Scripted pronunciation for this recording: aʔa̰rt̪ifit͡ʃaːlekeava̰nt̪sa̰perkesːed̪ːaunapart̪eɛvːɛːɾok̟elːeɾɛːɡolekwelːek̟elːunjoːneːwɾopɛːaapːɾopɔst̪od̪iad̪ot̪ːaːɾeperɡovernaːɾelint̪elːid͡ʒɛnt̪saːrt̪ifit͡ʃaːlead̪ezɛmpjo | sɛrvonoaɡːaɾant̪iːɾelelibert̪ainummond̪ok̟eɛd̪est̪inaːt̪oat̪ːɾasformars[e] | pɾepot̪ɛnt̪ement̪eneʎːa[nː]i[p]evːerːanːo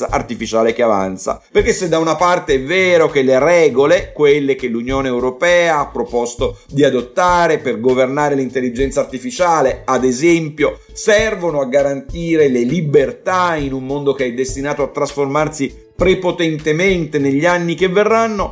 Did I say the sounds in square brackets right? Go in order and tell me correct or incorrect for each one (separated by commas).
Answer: incorrect, correct, incorrect